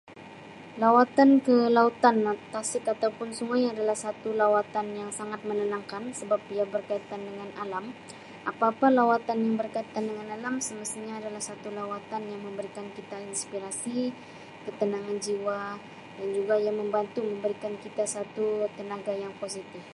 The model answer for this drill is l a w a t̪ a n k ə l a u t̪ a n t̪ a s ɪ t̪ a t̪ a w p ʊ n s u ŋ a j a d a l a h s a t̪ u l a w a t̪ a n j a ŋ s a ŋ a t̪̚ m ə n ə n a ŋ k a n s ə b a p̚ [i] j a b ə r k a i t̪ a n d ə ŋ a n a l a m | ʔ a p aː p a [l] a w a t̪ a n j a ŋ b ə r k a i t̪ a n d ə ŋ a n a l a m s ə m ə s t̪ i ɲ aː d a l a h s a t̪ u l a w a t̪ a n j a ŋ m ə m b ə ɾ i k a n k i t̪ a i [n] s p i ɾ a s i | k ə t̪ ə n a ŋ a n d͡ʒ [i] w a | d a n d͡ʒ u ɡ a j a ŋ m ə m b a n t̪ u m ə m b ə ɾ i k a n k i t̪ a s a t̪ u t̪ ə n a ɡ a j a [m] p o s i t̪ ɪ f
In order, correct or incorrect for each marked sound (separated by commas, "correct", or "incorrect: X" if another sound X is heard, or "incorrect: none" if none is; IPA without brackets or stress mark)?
correct, correct, correct, correct, incorrect: ŋ